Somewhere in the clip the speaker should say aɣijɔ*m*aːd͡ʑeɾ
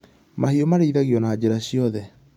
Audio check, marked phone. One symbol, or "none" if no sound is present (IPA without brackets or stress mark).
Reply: n